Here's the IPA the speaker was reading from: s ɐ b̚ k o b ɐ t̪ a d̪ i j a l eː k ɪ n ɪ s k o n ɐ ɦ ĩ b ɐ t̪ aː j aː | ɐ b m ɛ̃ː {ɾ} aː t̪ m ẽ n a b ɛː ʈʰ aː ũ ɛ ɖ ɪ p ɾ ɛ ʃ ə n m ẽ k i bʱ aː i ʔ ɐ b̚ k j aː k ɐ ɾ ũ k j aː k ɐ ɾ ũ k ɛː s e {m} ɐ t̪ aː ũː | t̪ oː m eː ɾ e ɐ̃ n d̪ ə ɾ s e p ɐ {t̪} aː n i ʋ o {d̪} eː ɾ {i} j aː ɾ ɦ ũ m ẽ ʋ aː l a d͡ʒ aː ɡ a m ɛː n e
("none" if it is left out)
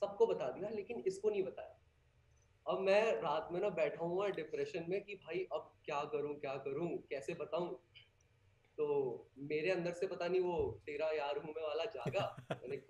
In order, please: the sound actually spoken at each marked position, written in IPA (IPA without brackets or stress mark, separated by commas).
ɾ, b, t̪, t̪, a